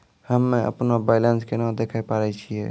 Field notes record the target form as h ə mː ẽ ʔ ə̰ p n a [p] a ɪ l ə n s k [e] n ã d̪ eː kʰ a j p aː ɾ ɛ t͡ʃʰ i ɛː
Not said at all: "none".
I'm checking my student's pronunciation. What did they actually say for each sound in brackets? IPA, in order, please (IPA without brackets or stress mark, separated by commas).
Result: b, e